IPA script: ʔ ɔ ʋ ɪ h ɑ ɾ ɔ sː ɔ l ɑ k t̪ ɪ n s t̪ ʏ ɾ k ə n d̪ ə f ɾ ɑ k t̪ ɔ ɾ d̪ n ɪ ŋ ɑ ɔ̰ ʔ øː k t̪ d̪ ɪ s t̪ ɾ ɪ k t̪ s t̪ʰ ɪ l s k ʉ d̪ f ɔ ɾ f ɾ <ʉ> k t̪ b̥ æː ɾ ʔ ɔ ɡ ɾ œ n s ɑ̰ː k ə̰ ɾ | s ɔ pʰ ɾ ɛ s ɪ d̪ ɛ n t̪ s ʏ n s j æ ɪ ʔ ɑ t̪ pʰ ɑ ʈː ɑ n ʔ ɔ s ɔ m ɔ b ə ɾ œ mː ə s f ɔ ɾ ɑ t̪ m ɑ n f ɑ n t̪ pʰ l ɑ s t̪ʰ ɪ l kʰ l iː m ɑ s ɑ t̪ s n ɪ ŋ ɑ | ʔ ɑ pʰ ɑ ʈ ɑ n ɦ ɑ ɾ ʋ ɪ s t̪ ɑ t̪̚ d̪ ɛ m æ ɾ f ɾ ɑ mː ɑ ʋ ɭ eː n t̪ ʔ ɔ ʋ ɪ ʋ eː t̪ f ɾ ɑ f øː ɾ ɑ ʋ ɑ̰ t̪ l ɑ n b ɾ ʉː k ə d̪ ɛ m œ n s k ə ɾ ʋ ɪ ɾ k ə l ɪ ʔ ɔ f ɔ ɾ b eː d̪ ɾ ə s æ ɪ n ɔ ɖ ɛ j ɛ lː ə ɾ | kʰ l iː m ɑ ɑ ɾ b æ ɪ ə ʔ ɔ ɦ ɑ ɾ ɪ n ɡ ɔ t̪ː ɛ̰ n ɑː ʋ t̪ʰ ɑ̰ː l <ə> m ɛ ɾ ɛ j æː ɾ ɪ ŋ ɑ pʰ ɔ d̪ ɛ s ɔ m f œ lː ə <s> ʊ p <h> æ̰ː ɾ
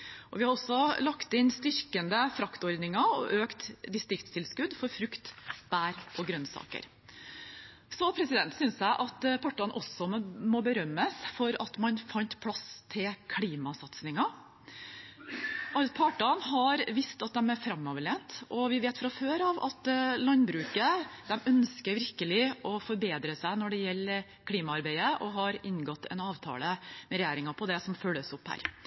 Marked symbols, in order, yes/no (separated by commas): yes, yes, yes, yes